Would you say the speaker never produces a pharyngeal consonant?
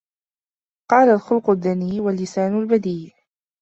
yes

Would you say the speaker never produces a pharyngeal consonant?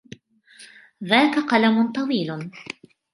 yes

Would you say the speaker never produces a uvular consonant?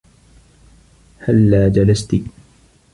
yes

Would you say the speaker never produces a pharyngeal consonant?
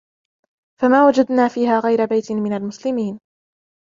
yes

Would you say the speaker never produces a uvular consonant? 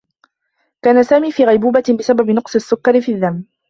no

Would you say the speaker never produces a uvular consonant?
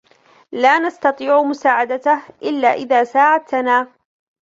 yes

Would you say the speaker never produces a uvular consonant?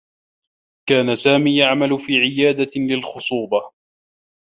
yes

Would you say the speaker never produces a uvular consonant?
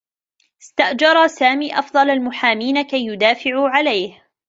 yes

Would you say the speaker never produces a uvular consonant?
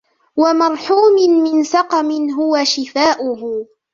no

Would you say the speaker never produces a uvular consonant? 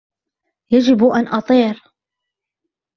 yes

